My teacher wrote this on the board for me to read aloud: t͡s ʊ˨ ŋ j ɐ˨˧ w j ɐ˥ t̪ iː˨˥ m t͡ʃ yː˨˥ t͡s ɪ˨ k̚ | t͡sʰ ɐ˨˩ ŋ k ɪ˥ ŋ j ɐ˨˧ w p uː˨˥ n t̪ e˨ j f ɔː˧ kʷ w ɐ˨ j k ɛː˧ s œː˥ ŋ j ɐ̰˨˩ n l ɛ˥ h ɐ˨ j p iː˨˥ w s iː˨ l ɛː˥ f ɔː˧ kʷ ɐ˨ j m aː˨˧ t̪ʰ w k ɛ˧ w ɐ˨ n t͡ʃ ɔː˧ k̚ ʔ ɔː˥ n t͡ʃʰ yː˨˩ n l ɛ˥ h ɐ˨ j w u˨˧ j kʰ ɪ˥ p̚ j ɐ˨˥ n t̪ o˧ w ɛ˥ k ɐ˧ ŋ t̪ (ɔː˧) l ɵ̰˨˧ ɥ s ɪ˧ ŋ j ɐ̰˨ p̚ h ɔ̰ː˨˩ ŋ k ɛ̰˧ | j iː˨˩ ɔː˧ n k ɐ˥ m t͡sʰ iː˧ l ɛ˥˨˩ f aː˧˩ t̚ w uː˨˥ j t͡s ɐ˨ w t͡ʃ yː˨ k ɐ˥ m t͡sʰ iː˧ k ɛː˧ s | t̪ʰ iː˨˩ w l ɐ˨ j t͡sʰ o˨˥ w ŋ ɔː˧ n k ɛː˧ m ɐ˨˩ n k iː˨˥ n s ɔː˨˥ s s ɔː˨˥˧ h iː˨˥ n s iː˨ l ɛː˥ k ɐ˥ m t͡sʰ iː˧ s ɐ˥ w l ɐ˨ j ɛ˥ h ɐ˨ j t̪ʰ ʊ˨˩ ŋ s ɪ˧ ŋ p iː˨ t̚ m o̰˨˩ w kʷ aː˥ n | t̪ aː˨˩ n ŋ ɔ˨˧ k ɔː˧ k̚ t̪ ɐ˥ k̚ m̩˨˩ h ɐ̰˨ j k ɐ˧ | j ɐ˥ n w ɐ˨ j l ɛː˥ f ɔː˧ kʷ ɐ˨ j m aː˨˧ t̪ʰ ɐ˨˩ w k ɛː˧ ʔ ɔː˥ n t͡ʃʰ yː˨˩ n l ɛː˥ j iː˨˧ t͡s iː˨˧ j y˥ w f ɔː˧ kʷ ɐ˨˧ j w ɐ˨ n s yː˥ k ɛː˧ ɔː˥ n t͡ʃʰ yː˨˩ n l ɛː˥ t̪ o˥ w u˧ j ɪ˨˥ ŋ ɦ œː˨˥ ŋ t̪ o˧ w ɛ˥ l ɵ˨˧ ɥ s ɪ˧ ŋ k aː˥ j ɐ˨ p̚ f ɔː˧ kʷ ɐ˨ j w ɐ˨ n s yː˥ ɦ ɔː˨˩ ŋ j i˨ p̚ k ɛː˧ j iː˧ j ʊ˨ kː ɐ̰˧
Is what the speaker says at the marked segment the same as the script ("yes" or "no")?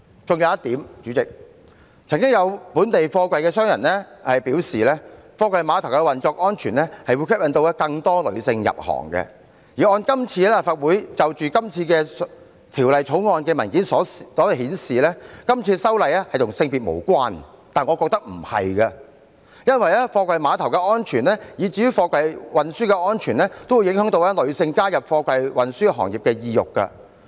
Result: no